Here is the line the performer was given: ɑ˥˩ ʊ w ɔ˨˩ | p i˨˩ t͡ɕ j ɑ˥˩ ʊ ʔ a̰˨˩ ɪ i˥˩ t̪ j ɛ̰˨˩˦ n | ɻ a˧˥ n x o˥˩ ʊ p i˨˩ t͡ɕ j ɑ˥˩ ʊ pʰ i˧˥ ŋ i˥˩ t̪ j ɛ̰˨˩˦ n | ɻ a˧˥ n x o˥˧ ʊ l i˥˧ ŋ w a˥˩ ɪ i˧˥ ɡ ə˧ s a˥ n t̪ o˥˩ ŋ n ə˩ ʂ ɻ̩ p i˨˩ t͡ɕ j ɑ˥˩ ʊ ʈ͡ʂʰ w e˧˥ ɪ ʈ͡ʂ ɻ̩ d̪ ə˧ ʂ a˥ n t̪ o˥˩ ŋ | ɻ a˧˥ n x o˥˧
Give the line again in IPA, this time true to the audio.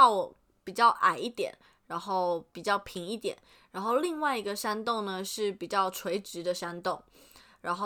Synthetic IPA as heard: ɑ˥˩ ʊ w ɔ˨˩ | p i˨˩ t͡ɕ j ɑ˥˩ ʊ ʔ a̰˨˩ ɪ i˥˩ t̪ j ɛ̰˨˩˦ n | ɻ a˧˥ n x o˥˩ ʊ p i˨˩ t͡ɕ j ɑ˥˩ ʊ pʰ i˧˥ ŋ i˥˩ t̪ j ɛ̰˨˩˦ n | ɻ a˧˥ n x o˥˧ ʊ l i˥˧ ŋ w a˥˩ ɪ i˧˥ ɡ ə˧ ʂ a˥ n t̪ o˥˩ ŋ n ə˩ ʂ ɻ̩ p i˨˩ t͡ɕ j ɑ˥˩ ʊ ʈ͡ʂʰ w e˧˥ ɪ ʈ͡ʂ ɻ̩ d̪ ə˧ ʂ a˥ n t̪ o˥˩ ŋ | ɻ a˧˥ n x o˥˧